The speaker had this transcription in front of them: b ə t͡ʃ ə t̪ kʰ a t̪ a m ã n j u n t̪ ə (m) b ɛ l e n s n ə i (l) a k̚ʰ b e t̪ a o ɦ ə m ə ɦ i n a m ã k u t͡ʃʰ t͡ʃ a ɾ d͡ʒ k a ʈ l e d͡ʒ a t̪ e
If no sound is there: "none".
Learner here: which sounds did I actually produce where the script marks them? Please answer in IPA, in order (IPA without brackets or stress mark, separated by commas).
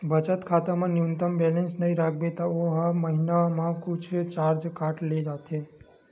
m, ɾ